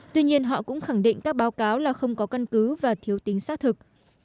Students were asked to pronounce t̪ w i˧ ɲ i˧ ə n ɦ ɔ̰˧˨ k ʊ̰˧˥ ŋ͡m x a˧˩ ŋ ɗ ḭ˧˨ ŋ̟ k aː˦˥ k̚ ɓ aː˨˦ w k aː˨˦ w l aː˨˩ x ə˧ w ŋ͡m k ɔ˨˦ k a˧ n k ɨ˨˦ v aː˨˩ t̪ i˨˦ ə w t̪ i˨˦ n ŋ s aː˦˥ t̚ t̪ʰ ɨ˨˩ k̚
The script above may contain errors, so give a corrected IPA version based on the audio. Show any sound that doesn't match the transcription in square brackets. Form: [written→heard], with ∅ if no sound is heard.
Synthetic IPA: t̪ w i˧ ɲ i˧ ə n ɦ ɔ̰˧˨ k ʊ̰˧˥ ŋ͡m x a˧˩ ŋ ɗ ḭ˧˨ ŋ̟ k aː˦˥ k̚ ɓ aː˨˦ w k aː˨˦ w l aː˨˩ x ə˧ w ŋ͡m k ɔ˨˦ k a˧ n k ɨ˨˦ v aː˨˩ [t̪→t̪ʰ] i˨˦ ə w t̪ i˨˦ [n→∅] ŋ s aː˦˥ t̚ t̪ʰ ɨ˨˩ k̚